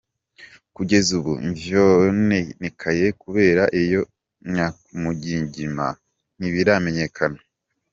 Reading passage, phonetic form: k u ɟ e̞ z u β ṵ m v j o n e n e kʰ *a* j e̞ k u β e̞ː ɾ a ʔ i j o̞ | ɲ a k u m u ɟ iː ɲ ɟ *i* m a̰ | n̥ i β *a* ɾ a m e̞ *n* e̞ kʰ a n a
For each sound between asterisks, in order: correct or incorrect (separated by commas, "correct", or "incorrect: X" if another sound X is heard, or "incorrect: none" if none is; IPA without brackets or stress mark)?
correct, correct, incorrect: i, incorrect: ɲ